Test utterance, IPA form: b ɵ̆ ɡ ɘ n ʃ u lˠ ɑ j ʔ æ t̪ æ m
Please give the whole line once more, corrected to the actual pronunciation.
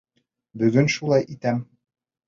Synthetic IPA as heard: b ɵ̆ ɡ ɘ n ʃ u lˠ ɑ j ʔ i t̪ æ m